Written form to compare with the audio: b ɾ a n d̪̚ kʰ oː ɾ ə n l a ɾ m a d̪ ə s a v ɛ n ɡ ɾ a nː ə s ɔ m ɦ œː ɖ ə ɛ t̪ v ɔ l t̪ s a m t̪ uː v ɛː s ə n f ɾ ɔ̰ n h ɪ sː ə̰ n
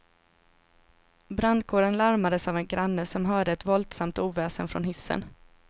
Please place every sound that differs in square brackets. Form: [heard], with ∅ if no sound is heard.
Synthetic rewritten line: b ɾ a n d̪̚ kʰ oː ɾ ə n l a ɾ m a d̪ ə s a v ɛ n ɡ ɾ a nː ə s ɔ m ɦ œː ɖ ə ɛ t̪ v ɔ l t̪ s a m t̪ uː v ɛː s ə n f ɾ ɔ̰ n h ɪ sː ə̰ n